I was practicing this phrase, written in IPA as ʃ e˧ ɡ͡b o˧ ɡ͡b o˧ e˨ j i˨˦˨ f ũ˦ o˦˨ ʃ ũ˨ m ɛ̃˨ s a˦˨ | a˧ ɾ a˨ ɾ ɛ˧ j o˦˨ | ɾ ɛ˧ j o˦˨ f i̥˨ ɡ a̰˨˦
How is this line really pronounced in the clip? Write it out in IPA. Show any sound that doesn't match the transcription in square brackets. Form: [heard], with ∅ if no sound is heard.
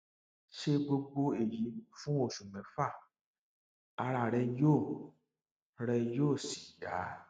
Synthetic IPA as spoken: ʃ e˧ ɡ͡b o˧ ɡ͡b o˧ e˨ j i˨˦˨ f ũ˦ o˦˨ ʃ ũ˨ m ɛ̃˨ [f] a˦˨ | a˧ ɾ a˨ ɾ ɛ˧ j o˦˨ | ɾ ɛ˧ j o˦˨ [s] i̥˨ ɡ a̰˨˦

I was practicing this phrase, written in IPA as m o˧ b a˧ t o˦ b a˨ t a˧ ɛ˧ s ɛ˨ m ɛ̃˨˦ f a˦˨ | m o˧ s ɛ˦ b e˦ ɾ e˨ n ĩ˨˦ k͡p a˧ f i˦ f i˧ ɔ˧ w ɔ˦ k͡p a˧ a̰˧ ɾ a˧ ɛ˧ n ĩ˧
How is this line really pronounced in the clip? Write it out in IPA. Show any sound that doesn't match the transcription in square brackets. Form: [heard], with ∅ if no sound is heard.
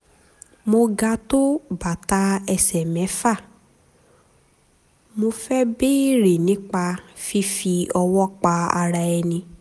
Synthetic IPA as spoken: m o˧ [ɡ] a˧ t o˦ b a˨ t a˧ ɛ˧ s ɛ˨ m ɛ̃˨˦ f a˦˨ | m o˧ [f] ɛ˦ b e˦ ɾ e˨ n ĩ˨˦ k͡p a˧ f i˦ f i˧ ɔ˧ w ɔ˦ k͡p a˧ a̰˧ ɾ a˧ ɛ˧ n ĩ˧

